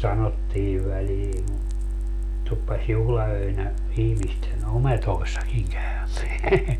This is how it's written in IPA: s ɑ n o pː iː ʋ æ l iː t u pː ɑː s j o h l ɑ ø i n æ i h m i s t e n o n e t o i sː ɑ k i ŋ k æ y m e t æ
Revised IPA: s ɑ n o tː iː ʋ æ l iː t u pː ɑ s j u h l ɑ ø i n æ i h m i s t e n o m e t o i sː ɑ k i ŋ k æ y m e æ